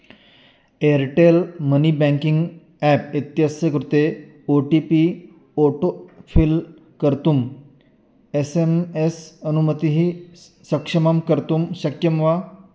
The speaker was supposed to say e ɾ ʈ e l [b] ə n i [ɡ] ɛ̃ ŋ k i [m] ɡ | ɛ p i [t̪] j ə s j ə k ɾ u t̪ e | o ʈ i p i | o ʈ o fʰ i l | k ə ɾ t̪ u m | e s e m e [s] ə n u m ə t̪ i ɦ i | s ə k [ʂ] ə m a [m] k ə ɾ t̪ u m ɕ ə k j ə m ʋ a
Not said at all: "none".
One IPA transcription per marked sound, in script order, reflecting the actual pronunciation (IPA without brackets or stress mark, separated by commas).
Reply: m, b, ŋ, t̪, s, ʂ, m